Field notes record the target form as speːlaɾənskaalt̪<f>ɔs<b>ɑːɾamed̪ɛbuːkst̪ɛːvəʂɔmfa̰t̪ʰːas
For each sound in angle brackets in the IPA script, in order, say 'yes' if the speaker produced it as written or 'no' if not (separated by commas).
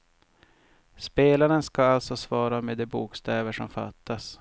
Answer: no, no